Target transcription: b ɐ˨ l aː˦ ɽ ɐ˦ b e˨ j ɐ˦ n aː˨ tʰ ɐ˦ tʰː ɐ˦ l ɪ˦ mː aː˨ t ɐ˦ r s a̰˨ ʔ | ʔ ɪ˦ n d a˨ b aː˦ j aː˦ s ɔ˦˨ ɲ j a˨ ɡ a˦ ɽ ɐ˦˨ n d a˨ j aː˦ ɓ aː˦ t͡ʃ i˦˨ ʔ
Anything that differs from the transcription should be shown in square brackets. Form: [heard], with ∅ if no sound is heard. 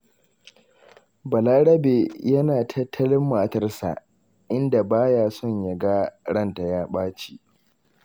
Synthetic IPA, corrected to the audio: b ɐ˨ l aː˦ ɽ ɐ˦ b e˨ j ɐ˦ n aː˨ tʰ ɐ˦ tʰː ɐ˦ l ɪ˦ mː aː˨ t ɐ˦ r s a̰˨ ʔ | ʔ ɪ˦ n d a˨ b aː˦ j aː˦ s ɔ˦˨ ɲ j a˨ ɡ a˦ ɽ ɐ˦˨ n [t] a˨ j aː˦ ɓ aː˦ t͡ʃ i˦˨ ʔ

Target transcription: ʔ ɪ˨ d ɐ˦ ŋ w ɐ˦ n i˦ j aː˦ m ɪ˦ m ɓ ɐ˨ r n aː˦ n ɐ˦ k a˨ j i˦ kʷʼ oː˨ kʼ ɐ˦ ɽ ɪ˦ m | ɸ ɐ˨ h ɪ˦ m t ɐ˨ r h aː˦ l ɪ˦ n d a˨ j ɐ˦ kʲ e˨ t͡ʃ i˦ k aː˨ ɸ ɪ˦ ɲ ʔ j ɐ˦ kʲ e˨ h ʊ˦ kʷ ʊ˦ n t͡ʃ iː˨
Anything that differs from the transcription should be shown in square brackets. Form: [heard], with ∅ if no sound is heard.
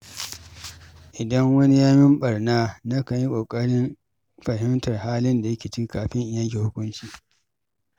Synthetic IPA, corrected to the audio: ʔ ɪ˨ d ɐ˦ ŋ w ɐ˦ n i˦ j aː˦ m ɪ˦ m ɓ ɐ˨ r n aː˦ n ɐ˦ k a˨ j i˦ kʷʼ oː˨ kʼ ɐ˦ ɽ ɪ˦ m | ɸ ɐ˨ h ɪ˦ m t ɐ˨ r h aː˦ l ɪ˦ n d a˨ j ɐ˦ kʲ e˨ t͡ʃ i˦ k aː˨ ɸ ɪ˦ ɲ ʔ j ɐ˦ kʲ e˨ h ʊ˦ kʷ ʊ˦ n t͡ʃ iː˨

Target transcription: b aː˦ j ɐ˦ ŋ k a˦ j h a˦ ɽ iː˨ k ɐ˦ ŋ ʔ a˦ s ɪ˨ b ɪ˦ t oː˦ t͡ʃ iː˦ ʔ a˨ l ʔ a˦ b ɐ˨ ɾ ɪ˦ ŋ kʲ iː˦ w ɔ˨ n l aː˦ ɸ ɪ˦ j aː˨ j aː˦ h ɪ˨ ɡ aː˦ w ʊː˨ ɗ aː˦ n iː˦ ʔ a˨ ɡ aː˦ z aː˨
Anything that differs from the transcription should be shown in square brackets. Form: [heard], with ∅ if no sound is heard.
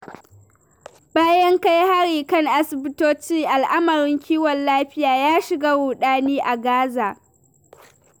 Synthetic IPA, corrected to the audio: b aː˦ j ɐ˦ ŋ k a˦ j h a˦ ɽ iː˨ k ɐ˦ ŋ ʔ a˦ s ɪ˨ b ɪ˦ t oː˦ t͡ʃ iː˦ ʔ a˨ l ʔ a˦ [m] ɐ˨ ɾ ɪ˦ ŋ kʲ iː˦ w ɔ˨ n l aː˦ ɸ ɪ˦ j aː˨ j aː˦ [ʃ] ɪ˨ ɡ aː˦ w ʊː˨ ɗ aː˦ n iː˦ ʔ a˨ ɡ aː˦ z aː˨

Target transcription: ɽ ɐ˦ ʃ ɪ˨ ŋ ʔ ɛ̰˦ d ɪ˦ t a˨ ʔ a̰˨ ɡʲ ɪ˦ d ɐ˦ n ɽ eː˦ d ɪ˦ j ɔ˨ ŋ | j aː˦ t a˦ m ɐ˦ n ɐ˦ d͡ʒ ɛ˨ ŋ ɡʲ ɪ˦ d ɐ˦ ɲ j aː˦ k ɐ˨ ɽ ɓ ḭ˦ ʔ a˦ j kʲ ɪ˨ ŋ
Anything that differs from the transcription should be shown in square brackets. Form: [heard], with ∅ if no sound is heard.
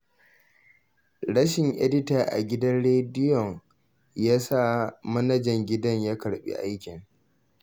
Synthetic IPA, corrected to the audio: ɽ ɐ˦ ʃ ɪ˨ ŋ ʔ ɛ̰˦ d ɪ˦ t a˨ ʔ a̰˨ ɡʲ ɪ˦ d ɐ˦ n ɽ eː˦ d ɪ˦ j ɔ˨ ŋ | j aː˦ [s] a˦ m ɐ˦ n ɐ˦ d͡ʒ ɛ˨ ŋ ɡʲ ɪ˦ d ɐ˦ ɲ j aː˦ k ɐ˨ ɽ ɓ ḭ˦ ʔ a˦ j kʲ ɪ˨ ŋ

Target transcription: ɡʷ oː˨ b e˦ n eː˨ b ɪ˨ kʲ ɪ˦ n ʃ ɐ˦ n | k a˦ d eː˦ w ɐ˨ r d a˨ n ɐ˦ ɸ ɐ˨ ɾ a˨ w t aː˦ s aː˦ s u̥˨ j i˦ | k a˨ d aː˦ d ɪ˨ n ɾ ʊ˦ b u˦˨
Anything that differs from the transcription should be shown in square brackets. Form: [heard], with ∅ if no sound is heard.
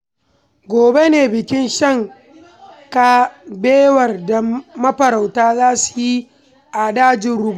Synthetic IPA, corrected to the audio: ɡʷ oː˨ b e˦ n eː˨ b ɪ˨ kʲ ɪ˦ n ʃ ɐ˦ [ŋ] | k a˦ [b] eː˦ w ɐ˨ r d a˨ [m] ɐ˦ ɸ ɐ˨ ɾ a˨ w t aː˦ [z] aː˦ s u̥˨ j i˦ | [ʔ] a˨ d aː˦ [d͡ʒ] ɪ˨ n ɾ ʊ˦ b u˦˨

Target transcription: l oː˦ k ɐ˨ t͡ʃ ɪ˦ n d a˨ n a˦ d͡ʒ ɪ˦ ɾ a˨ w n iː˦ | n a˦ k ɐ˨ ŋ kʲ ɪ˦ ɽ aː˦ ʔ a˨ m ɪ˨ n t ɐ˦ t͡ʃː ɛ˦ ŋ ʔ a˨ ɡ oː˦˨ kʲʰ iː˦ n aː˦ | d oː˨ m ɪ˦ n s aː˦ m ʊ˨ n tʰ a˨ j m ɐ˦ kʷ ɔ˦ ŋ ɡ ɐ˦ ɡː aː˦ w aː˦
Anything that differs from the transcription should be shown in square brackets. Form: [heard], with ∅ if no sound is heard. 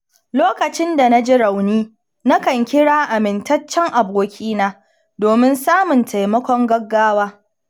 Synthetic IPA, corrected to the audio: l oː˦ k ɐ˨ t͡ʃ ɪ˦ n d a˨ n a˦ d͡ʒ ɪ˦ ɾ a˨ w n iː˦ | n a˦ k ɐ˨ ŋ kʲ ɪ˦ ɽ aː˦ ʔ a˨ m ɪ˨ n t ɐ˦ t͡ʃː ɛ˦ ŋ ʔ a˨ [b] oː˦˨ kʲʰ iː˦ n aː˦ | d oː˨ m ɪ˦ n s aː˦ m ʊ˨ n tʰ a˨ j m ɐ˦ kʷ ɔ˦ ŋ ɡ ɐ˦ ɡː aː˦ w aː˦

